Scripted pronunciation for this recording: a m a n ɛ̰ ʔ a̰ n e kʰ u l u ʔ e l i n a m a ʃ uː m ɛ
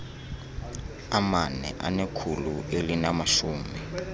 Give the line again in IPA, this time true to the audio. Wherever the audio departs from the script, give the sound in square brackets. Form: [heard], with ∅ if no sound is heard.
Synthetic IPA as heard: a m a n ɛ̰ ʔ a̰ n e kʰ u l u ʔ e l i n a m a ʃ uː m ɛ